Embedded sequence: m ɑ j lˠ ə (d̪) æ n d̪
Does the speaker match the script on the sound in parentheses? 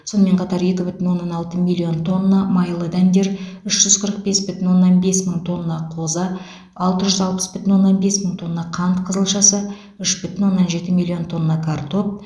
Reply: yes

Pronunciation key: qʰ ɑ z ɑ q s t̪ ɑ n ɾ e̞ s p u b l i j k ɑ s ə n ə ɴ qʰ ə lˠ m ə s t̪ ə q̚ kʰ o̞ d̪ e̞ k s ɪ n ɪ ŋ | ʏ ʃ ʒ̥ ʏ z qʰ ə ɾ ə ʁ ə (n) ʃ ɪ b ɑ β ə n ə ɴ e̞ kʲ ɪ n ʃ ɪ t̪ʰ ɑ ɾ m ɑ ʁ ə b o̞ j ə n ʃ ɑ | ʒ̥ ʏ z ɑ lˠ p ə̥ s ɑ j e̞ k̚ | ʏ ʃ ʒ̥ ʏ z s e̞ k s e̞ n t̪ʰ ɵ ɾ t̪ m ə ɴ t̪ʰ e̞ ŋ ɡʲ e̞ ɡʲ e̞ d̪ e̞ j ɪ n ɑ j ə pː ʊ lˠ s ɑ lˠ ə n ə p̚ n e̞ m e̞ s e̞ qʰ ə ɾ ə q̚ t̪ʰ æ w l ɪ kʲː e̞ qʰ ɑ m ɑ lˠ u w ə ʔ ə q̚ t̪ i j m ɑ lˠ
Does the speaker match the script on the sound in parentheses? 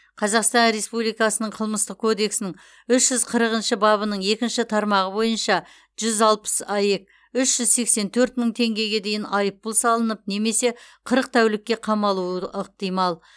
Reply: yes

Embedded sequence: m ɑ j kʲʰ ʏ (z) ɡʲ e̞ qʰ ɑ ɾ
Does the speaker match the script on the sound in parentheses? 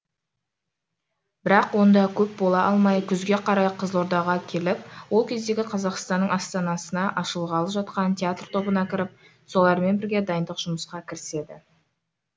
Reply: yes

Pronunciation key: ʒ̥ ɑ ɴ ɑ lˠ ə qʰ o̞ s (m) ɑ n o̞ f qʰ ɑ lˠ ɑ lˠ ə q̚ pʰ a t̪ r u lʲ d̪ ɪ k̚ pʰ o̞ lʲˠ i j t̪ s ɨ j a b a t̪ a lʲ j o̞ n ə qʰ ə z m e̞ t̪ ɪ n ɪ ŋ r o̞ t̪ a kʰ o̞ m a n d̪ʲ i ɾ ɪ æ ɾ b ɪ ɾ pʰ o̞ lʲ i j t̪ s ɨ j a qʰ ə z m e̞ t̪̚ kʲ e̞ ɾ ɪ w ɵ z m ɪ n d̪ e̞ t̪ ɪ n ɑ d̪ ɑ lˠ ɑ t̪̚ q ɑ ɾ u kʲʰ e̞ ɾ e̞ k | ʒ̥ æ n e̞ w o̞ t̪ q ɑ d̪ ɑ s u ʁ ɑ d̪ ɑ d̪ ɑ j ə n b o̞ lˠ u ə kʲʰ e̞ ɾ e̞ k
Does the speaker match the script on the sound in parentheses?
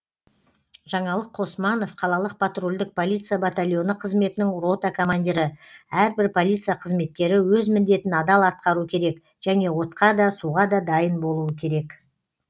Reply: yes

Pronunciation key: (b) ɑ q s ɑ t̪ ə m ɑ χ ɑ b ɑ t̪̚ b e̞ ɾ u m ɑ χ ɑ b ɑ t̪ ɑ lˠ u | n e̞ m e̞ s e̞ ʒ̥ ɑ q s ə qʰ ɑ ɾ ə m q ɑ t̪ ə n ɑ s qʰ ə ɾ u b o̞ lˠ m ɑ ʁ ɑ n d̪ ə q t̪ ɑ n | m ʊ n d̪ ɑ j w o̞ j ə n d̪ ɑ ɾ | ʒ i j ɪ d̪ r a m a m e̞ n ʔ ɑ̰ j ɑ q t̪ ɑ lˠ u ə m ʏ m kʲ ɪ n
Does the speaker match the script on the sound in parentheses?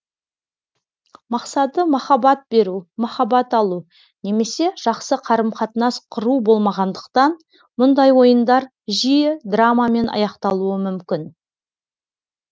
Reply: no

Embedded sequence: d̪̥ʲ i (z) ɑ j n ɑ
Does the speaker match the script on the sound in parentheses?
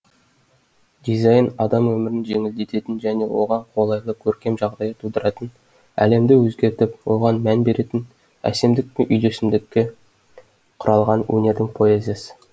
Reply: yes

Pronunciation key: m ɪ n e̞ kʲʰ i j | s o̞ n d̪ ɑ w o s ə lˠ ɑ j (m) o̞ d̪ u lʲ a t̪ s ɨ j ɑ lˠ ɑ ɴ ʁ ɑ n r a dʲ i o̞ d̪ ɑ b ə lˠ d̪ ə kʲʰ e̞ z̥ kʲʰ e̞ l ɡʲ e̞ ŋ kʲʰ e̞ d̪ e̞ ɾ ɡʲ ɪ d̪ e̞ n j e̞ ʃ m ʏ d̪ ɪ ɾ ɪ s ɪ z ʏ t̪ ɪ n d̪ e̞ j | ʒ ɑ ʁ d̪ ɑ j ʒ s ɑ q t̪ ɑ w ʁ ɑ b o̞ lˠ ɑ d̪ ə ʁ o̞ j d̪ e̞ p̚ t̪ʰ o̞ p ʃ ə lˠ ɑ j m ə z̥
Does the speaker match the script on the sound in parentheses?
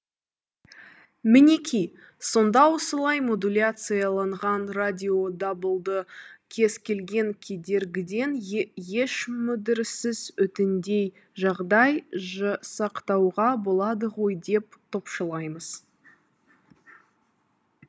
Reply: yes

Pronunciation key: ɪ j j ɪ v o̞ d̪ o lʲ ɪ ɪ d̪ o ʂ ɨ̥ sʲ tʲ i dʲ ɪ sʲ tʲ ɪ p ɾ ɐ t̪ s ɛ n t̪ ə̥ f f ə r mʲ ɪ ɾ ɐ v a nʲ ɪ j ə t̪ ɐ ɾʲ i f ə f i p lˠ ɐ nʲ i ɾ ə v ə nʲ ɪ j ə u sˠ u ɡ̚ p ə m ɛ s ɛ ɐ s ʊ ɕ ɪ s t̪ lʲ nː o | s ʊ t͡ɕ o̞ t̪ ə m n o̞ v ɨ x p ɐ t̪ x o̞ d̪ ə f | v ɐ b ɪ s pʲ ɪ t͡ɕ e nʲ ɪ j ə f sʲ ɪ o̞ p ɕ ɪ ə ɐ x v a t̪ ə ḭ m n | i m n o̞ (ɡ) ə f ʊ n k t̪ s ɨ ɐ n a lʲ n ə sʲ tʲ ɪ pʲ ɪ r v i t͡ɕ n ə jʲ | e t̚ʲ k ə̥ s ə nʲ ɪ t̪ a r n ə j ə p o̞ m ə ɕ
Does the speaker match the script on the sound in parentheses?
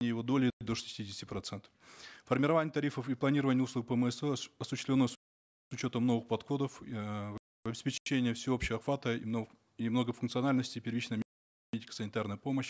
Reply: yes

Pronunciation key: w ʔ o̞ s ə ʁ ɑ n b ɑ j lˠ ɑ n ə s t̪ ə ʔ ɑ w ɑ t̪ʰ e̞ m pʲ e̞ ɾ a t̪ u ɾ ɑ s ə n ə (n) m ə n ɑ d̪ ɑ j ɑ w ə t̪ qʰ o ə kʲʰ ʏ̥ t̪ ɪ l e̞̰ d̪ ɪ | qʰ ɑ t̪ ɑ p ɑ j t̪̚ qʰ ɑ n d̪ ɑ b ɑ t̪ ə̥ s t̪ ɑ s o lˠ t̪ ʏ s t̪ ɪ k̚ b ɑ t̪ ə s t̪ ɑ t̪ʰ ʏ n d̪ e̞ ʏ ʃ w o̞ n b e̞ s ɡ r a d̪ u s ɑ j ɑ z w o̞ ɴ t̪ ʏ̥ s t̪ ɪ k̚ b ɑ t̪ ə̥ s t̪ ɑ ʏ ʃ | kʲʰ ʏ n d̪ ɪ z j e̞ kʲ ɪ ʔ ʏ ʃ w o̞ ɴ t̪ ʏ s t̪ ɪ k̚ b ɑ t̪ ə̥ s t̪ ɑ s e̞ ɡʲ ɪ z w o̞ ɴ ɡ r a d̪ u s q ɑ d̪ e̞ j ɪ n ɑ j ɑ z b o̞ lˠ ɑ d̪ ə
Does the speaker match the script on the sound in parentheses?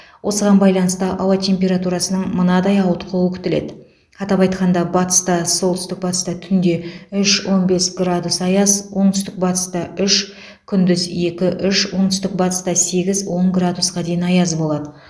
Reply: no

